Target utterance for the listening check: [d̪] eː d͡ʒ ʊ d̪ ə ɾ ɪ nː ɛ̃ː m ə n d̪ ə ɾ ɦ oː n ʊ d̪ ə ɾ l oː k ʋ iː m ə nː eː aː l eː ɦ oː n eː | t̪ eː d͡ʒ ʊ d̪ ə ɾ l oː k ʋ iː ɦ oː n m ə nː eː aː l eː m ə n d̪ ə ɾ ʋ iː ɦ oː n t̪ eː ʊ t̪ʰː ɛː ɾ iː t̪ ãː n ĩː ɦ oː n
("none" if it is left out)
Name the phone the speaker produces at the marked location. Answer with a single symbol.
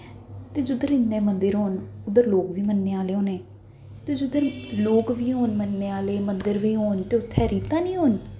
t̪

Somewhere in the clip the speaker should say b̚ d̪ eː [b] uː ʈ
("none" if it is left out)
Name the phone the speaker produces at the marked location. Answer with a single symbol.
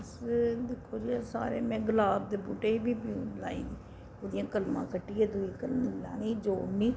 b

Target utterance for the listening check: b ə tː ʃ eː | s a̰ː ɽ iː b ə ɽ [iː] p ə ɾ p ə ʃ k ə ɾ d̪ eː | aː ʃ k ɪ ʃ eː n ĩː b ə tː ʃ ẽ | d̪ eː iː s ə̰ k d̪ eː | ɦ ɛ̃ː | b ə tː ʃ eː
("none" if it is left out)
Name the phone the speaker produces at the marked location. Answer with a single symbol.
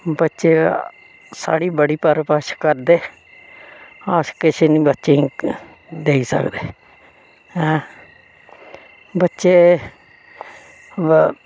iː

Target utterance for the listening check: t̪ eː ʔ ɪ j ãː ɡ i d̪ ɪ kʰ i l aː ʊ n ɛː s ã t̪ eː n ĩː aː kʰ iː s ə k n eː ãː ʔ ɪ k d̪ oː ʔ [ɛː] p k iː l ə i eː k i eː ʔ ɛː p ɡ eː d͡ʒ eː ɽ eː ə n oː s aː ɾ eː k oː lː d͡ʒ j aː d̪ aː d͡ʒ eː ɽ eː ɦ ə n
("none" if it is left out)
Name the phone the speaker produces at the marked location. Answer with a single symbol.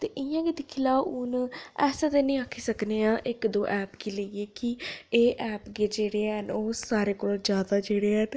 ɛː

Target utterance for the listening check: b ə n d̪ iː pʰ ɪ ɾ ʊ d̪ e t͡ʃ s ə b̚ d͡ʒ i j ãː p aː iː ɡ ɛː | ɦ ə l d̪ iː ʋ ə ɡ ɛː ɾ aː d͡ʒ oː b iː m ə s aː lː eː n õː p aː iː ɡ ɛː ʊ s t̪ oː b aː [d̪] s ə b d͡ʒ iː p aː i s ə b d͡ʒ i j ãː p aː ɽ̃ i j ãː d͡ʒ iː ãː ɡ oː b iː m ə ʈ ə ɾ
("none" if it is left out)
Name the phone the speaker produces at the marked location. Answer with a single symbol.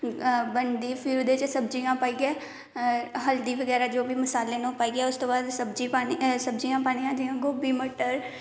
d̪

